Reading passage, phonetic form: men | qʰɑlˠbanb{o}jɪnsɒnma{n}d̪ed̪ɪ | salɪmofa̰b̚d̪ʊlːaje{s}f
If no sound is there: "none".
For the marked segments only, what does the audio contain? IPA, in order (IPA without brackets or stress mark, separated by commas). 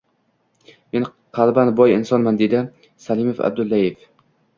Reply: ɒ, n, none